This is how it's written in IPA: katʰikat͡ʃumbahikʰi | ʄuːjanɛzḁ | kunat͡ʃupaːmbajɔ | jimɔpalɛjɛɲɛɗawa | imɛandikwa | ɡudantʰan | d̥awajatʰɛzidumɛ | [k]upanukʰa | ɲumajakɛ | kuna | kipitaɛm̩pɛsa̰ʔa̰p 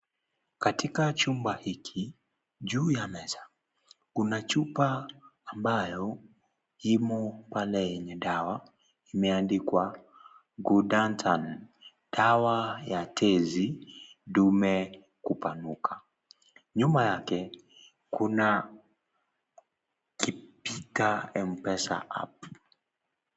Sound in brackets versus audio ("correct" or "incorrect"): correct